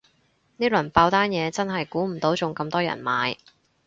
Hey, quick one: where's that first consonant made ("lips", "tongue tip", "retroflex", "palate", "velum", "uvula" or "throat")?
tongue tip